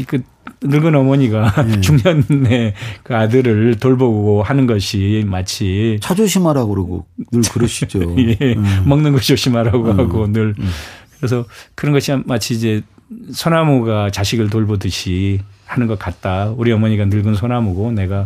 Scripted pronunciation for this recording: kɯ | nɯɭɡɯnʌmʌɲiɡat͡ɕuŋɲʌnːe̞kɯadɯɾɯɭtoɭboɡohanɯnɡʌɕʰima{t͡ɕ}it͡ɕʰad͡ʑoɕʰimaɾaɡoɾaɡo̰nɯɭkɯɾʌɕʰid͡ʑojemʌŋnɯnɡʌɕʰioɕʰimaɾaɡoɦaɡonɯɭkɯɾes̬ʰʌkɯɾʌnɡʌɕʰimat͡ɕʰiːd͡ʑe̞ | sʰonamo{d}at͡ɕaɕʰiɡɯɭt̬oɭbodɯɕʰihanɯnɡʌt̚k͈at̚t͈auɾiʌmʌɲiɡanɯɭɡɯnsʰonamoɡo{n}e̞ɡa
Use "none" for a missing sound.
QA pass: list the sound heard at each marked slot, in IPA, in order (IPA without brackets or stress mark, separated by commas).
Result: t͡ɕʰ, ɡ, n